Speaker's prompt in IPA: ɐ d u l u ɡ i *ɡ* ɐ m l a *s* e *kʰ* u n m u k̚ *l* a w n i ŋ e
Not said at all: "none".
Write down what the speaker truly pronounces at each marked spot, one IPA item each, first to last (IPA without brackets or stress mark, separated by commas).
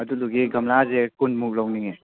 ɡ, z, k, l